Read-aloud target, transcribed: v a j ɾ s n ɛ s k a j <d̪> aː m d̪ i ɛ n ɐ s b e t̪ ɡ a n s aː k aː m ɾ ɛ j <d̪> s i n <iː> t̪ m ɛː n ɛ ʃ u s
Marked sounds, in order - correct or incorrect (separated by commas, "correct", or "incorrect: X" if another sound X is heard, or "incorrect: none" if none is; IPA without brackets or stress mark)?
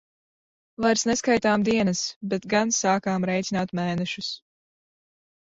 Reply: incorrect: t̪, incorrect: t̪, incorrect: aː